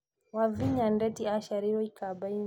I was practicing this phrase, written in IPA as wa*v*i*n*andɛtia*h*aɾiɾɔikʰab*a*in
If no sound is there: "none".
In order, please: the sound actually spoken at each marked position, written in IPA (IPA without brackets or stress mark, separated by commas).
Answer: v, ɲ, ʃ, a